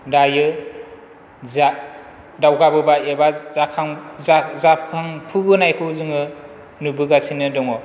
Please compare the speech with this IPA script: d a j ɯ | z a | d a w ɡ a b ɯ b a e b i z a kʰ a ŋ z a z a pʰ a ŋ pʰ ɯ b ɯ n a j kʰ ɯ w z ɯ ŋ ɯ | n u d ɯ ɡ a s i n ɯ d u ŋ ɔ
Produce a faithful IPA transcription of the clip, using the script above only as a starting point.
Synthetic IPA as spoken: d a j ɯ | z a | d a w ɡ a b ɯ b a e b a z a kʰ a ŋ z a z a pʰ a ŋ pʰ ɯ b ɯ n a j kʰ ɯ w z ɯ ŋ ɯ | n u b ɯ ɡ a s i n ɯ d ɔ ŋ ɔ